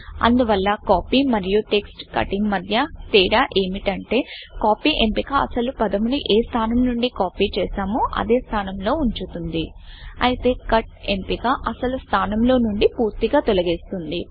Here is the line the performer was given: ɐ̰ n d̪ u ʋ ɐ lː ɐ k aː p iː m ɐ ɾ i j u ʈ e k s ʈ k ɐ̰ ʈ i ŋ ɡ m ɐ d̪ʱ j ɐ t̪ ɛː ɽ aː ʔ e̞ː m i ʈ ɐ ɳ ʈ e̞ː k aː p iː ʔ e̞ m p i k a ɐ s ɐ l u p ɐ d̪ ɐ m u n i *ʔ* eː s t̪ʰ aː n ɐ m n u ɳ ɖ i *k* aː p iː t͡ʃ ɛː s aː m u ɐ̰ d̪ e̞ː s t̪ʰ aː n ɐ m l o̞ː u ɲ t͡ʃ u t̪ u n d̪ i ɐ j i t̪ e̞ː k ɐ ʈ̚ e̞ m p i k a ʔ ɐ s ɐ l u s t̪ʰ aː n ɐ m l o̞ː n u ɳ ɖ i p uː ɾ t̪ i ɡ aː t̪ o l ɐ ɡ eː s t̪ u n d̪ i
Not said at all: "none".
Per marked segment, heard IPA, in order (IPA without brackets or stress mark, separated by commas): ʔ, k